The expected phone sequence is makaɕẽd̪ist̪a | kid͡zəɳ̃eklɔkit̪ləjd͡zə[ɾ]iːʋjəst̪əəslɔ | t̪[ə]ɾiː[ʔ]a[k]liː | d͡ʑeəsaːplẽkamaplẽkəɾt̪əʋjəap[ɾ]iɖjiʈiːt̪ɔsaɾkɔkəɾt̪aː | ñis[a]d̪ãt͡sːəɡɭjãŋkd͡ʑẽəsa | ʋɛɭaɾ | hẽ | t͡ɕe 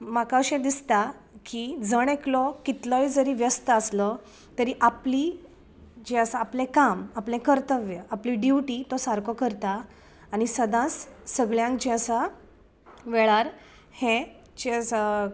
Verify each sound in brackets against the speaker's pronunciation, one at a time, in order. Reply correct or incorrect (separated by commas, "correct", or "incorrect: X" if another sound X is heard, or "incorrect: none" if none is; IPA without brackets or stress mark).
correct, correct, correct, incorrect: p, incorrect: l, incorrect: ə